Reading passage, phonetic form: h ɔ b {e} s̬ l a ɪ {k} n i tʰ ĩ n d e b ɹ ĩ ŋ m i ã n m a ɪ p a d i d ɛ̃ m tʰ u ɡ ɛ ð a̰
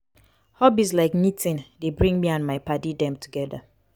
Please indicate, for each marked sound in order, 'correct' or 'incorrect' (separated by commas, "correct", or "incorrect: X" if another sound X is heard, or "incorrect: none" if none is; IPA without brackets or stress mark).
incorrect: i, correct